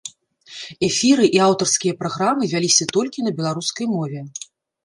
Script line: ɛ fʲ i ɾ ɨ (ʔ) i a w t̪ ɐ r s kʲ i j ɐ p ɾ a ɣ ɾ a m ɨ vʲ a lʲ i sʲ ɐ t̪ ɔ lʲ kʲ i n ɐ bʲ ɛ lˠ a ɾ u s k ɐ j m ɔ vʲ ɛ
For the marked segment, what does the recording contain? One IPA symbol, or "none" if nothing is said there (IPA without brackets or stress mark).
ʔ